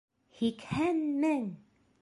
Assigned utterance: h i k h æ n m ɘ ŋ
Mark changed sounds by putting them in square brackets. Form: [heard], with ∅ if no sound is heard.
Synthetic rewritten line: h i k h æ n m ɘ ŋ